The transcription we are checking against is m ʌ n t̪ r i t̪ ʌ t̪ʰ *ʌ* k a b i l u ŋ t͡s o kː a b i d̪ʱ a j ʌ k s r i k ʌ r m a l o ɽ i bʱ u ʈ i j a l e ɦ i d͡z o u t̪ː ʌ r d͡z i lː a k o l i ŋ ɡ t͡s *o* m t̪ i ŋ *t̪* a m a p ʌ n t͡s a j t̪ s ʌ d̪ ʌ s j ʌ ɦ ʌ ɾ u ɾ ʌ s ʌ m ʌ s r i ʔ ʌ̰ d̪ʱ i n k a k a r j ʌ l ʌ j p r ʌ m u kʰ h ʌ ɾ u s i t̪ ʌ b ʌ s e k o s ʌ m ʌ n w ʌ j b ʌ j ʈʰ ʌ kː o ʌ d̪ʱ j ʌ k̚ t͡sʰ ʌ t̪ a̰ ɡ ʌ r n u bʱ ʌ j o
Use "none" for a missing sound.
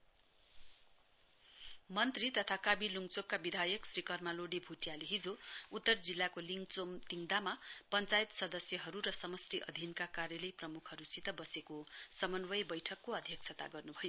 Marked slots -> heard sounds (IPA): a, o, d̪

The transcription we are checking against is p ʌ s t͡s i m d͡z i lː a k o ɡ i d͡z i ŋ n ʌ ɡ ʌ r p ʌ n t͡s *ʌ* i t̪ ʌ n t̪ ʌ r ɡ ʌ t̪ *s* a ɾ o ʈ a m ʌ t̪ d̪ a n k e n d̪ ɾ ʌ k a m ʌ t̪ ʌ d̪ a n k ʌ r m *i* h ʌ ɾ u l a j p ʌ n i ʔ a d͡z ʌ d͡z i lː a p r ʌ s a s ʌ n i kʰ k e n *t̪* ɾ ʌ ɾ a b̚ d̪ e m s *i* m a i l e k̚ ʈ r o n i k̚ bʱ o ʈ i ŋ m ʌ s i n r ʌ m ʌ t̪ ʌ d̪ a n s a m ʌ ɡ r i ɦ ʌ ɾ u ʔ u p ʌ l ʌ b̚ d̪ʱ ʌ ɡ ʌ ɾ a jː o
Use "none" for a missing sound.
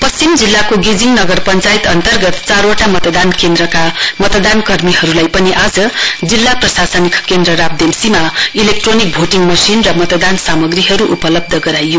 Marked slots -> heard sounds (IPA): a, t͡s, i, d̪, i

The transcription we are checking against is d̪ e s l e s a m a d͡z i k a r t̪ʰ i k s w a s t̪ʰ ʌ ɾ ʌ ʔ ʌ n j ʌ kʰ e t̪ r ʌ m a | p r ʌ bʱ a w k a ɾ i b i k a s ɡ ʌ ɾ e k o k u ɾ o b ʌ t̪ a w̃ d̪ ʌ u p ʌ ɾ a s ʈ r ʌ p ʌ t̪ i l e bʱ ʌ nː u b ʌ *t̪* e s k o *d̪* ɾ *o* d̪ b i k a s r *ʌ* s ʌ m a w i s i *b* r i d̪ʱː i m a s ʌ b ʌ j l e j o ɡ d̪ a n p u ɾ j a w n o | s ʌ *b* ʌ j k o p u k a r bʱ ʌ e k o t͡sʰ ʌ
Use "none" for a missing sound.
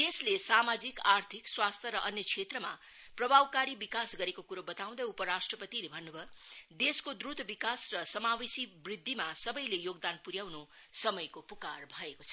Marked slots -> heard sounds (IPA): d̪, d̪, u, ʌ, b, m

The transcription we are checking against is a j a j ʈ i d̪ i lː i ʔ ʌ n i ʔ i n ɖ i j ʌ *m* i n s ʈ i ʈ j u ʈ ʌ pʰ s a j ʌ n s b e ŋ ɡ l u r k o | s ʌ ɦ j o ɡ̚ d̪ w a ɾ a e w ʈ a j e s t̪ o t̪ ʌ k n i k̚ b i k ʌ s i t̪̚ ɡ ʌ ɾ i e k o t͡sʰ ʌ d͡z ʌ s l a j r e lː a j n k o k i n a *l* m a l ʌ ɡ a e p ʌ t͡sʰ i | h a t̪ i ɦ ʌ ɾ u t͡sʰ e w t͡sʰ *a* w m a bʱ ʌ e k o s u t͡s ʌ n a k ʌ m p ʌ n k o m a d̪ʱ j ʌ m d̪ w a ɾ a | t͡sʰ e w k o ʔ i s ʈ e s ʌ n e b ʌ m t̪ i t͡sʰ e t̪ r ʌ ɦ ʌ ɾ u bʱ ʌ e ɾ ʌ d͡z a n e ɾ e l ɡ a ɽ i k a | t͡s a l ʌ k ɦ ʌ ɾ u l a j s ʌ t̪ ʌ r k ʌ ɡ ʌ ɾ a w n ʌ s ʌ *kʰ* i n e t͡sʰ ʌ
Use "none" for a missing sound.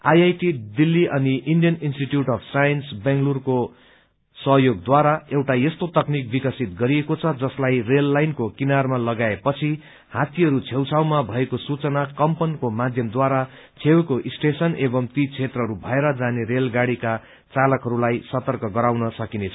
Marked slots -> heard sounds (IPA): n, r, a, k

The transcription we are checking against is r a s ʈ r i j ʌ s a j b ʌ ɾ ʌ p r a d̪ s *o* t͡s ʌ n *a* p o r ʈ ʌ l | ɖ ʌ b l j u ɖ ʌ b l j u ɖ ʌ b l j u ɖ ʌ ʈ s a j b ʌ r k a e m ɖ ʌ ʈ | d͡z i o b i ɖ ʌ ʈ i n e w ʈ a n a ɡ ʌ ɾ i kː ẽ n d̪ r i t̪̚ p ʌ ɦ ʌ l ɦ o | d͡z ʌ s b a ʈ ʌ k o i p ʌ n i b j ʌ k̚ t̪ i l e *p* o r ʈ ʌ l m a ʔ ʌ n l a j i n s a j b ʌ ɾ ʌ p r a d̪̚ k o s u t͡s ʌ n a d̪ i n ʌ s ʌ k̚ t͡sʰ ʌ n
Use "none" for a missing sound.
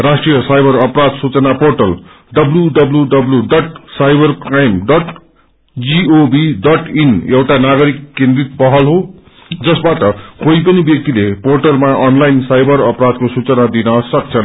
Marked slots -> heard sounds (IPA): u, a, p

